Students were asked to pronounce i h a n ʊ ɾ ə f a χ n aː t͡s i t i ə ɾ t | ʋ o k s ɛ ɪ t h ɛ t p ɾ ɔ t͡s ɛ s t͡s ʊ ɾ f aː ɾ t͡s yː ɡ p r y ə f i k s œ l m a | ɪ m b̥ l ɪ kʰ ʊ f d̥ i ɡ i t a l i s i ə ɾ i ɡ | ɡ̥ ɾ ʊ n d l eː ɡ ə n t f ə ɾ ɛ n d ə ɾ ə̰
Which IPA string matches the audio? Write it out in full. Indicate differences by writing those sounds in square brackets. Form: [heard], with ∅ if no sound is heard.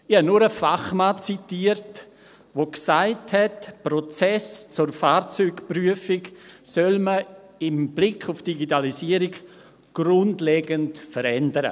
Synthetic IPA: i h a n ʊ ɾ ə f a χ [m] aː t͡s i t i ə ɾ t | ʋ o k s [a] ɪ t h ɛ t p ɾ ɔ t͡s ɛ s t͡s ʊ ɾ f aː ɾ t͡s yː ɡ p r y ə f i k s œ l m [ə] | ɪ m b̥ l ɪ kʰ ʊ f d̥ i ɡ i t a l i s i ə ɾ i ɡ | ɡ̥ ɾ ʊ n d l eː ɡ ə n t f ə ɾ ɛ n d ə ɾ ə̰